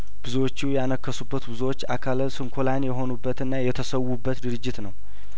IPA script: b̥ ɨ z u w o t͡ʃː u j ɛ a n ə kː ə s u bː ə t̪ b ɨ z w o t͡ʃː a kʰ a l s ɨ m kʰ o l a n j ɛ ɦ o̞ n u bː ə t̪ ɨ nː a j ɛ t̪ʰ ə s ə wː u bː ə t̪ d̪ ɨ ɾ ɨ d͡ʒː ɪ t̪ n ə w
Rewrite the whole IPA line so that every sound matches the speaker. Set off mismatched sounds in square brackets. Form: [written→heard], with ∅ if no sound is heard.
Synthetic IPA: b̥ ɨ z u w o t͡ʃː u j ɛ a n ə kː ə s u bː ə t̪ b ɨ z w o t͡ʃː a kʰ a l s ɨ [m→ŋ] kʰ o l a n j ɛ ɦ o̞ n u bː ə t̪ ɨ nː a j ɛ t̪ʰ ə s ə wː u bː ə t̪ d̪ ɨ ɾ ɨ d͡ʒː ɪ t̪ n ə w